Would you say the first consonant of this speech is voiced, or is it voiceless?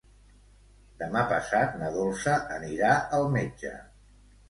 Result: voiced